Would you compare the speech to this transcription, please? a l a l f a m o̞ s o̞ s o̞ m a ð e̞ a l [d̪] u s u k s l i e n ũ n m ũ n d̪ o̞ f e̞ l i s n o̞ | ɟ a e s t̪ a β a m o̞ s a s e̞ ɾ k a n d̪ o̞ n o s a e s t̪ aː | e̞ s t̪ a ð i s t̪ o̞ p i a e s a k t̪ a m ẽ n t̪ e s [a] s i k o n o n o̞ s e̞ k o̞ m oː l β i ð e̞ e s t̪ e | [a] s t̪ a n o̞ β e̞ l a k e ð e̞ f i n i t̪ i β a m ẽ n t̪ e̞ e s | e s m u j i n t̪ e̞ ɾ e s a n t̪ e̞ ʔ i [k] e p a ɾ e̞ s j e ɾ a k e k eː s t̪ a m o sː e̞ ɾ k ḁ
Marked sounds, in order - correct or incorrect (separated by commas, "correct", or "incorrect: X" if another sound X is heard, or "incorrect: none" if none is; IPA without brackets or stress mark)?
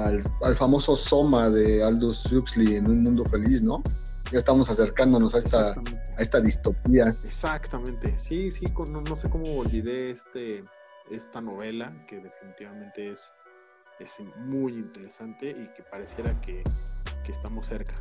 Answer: correct, incorrect: i, incorrect: e, correct